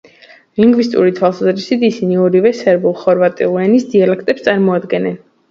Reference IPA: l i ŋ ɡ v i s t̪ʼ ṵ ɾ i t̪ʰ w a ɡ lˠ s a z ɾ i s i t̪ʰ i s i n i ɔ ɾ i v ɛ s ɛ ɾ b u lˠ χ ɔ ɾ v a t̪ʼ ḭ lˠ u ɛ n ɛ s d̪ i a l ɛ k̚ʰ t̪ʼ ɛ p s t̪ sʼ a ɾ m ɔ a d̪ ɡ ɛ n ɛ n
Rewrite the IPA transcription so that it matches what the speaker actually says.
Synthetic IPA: l i ŋ ɡ v i s t̪ʼ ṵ ɾ i t̪ʰ w a lˠ s a z ɾ i s i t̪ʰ i s i n i ɔ ɾ i v ɛ s ɛ ɾ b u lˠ χ ɔ ɾ v a t̪ʼ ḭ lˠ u ɛ n i s d̪ i a l ɛ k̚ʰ t̪ʼ ɛ p s t̪ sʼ a ɾ m ɔ a d̪ ɡ ɛ n ɛ n

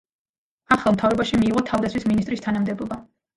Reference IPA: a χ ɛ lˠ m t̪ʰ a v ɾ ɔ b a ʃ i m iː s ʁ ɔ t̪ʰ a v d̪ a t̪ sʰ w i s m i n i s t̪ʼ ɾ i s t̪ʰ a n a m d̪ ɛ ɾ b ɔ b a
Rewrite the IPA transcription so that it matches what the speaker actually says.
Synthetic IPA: a χ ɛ lˠ m t̪ʰ a v ɾ ɔ b a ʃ i m iː ʁ ɔ t̪ʰ a v d̪ a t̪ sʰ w i s m i n i s t̪ʼ ɾ i s t̪ʰ a n a m d̪ ɛ b ɔ b a

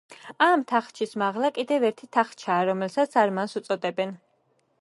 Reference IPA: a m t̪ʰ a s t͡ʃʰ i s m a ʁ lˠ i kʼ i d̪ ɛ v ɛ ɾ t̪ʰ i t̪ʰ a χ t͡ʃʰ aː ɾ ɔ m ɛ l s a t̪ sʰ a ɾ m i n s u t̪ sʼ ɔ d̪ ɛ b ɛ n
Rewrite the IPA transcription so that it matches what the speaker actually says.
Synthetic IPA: a m t̪ʰ a χ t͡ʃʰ i s m a ʁ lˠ a kʼ i d̪ ɛ v ɛ ɾ t̪ʰ i t̪ʰ a χ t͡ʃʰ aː ɾ ɔ m ɛ l s a t̪ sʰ a ɾ m a n s u t̪ sʼ ɔ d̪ ɛ b ɛ n

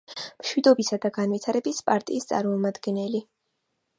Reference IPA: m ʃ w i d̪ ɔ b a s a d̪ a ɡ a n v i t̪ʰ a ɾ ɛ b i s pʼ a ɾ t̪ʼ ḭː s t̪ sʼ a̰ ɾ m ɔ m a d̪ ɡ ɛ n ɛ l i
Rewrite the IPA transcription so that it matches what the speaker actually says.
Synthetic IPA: m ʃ w i d̪ ɔ b i s a d̪ a ɡ a n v i t̪ʰ a ɾ ɛ b i s pʼ a ɾ t̪ʼ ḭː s t̪ sʼ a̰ ɾ m ɔ m a d̪ ɡ ɛ n ɛ l i

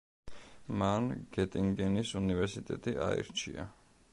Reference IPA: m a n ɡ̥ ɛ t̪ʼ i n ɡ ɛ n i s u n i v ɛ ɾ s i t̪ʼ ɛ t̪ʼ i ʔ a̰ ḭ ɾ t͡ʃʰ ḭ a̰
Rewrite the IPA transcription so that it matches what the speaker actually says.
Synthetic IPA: m a n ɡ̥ ɛ t̪ʼ i ŋ ɡ ɛ n i s u n i v ɛ ɾ s i t̪ʼ ɛ t̪ʼ i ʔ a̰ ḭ ɾ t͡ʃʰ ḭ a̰

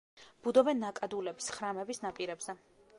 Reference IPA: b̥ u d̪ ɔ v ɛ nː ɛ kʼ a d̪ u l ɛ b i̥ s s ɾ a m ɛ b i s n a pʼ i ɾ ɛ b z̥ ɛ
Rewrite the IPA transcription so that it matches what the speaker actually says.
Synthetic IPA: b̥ u d̪ ɔ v ɛ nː a kʼ a d̪ u l ɛ b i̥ s χ ɾ a m ɛ b i s n a pʼ i ɾ ɛ b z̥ ɛ

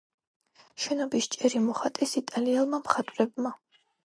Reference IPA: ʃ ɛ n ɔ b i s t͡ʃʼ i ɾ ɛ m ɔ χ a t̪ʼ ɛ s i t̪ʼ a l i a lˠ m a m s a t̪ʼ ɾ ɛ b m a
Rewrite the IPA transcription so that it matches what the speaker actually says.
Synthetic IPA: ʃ ɛ n ɔ b i s t͡ʃʼ ɛ ɾ i m ɔ χ a t̪ʼ ɛ s i t̪ʼ a l i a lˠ m a m χ a t̪ʼ ɾ ɛ b m a

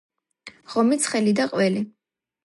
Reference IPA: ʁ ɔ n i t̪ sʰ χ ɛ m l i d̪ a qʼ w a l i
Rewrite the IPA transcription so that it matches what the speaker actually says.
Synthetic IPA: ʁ ɔ m i t̪ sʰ χ ɛ l i d̪ a qʼ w ɛ l i

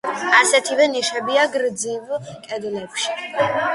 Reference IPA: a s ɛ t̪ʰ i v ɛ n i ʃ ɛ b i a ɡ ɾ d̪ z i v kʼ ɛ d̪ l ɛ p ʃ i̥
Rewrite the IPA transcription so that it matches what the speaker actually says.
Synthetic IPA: a s ɛ t̪ʰ i v ɛ n i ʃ ɛ b i a ɡ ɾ d̪ z i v kʼ ɛ d̪ l ɛ p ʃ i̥

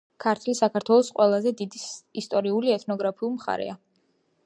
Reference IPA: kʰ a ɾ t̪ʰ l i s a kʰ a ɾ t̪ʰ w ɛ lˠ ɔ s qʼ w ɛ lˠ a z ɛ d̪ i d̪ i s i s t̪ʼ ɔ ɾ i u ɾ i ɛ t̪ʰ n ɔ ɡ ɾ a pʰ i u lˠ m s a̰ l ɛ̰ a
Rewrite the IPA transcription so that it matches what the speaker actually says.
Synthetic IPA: kʰ a ɾ t̪ʰ l i s a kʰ a ɾ t̪ʰ w ɛ lˠ ɔ s qʼ w ɛ lˠ a z ɛ d̪ i d̪ i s i s t̪ʼ ɔ ɾ i u l i ɛ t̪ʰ n ɔ ɡ ɾ a pʰ i u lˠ m χ a̰ ɾ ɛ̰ a

